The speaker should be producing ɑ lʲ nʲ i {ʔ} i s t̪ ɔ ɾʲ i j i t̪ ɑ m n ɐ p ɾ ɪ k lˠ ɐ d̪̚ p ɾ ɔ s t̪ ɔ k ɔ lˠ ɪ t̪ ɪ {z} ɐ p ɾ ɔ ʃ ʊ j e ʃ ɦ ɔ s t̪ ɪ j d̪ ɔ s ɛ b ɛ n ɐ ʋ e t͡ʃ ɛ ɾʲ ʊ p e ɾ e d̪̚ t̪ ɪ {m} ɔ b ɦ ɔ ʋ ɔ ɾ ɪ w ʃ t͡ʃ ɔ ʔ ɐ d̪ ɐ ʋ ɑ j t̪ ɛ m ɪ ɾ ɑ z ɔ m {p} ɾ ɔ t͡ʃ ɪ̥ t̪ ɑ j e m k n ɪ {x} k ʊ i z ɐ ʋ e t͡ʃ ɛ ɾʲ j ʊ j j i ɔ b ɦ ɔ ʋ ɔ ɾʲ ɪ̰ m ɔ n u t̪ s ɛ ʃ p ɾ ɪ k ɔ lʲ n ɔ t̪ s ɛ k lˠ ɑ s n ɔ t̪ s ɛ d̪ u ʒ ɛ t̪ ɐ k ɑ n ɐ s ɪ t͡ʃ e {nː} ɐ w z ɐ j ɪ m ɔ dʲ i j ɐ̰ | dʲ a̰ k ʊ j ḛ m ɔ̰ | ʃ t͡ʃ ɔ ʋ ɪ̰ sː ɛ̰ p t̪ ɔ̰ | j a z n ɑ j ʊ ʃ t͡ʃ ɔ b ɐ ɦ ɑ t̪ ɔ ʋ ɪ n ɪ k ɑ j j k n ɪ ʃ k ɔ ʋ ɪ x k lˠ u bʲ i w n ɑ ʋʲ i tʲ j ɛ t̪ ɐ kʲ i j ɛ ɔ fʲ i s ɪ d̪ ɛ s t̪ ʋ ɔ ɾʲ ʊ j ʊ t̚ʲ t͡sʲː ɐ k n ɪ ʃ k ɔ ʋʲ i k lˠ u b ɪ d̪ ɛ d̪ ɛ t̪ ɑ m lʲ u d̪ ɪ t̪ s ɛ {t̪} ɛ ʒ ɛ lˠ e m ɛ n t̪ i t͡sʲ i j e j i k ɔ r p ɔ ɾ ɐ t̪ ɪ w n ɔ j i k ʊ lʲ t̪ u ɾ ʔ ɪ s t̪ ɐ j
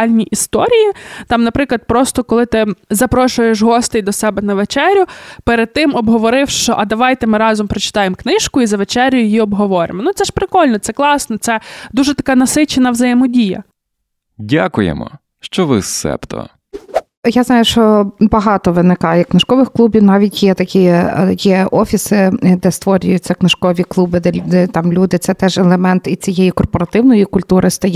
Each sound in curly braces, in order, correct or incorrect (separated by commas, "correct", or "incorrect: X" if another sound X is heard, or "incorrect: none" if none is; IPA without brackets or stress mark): correct, correct, correct, correct, incorrect: ʃ, incorrect: n, correct